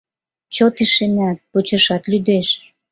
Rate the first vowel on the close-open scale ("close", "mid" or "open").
mid